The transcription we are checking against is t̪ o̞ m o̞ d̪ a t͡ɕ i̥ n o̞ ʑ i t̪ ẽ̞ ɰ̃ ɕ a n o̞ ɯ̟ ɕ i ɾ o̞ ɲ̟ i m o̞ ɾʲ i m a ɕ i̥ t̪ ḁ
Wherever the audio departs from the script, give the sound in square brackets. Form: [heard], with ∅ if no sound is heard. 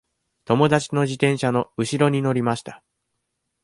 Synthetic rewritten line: t̪ o̞ m o̞ d̪ a t͡ɕ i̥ n o̞ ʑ i t̪ ẽ̞ ɰ̃ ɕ a n o̞ ɯ̟ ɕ i ɾ o̞ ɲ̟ i [n] o̞ ɾʲ i m a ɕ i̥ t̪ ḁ